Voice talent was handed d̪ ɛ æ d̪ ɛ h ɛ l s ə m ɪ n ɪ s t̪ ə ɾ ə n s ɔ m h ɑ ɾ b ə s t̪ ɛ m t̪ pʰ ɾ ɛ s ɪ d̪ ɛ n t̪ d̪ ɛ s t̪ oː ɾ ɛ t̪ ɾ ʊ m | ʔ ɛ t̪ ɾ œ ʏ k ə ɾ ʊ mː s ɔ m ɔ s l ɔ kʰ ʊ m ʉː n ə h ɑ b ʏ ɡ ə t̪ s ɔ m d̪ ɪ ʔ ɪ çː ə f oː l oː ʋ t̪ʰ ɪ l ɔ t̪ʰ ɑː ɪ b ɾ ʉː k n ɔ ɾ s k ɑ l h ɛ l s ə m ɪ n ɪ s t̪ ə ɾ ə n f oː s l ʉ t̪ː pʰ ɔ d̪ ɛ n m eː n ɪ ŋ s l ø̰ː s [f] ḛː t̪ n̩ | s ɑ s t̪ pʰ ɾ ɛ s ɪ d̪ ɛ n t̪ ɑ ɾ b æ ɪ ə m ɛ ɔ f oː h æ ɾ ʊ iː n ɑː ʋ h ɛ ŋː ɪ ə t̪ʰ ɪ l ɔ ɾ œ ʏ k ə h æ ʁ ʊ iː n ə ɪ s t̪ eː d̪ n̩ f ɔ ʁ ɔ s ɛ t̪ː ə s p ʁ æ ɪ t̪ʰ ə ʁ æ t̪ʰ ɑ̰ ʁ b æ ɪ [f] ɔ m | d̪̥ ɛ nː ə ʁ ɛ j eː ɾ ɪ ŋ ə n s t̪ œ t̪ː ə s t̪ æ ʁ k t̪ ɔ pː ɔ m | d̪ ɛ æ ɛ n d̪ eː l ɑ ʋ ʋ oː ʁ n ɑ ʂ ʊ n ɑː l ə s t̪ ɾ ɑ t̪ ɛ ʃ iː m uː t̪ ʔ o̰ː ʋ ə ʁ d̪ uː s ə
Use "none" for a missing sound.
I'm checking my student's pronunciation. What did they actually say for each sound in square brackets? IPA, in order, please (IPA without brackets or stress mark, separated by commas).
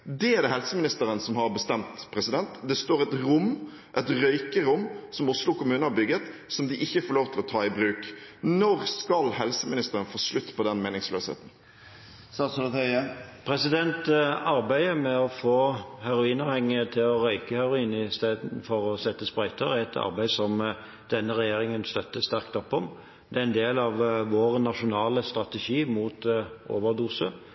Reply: h, s